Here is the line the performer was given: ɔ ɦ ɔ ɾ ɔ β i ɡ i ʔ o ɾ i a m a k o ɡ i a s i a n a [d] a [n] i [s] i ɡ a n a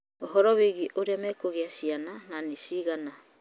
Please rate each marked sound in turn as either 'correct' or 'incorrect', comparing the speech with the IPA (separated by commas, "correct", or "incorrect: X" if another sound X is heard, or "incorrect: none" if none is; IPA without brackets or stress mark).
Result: incorrect: n, correct, correct